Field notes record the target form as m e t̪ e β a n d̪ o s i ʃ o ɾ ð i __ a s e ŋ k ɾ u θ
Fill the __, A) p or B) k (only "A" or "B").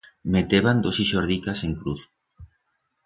B